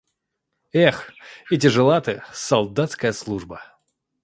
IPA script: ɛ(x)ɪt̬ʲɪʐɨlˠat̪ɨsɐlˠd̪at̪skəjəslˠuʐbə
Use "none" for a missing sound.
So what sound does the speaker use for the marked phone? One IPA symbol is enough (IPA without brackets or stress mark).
x